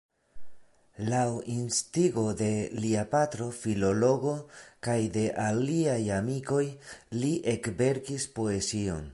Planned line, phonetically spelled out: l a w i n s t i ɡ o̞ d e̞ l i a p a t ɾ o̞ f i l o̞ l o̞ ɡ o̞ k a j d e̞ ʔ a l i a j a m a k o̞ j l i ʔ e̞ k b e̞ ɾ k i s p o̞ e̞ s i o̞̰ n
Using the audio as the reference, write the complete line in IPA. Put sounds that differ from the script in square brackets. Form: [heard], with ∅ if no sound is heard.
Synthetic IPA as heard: l a w i n s t i ɡ o̞ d e̞ l i a p a t ɾ o̞ f i l o̞ l o̞ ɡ o̞ k a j d e̞ ʔ a l i a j a m [i] k o̞ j l i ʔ e̞ k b e̞ ɾ k i s p o̞ e̞ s i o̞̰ n